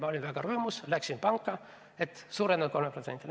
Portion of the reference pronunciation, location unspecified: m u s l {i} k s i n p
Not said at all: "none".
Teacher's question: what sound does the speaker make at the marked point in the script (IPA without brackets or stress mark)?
æ